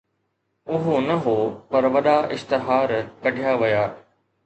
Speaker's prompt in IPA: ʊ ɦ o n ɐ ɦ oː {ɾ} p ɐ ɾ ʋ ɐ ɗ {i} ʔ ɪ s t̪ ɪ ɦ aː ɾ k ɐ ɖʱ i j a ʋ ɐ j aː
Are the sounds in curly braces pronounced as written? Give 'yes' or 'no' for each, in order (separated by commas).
no, no